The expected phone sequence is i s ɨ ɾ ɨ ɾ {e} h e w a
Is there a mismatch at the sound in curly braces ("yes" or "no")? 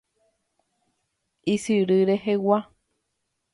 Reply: no